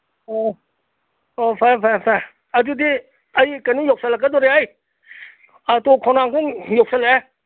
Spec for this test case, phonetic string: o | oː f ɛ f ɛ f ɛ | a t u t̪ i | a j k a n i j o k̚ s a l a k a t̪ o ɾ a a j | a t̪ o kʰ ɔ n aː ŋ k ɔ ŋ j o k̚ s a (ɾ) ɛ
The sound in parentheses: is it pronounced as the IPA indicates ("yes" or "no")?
no